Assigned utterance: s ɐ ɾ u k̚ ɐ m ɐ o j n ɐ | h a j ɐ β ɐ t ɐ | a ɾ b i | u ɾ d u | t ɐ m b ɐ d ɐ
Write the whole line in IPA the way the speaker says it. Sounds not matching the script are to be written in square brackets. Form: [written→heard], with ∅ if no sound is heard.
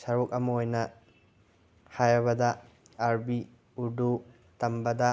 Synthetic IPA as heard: s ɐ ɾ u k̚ ɐ m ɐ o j n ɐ | h a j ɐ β ɐ [t→d] ɐ | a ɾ b i | u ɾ d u | t ɐ m b ɐ d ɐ